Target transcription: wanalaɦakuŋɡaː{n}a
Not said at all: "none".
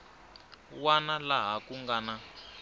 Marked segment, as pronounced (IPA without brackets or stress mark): n